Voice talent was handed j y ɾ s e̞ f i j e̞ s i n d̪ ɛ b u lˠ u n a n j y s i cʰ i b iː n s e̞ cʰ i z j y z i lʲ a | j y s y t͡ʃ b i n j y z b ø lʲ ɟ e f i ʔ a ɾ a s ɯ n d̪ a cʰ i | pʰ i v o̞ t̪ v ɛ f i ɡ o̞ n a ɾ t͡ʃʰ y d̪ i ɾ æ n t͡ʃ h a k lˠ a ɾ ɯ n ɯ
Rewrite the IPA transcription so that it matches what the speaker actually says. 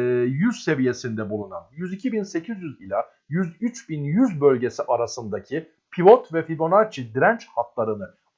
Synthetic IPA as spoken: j y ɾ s e̞ v i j e̞ s i n d̪ ɛ b u lˠ u n a n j y z i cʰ i b i n s e̞ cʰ i z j y z i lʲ a | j y z y t͡ʃ b i n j y z b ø lʲ ɟ e s i ʔ a ɾ a s ɯ n d̪ a cʰ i | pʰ i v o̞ t̪ v ɛ f i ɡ o̞ n a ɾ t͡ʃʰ i d̪ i ɾ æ n t͡ʃ h a k lˠ a ɾ ɯ n ɯ